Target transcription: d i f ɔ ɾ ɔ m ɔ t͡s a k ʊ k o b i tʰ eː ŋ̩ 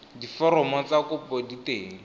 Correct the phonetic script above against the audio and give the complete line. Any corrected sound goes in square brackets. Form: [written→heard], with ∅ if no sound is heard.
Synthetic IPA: d i f ɔ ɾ ɔ m ɔ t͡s a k ʊ [k→p] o [b→d] i [tʰ→t] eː ŋ̩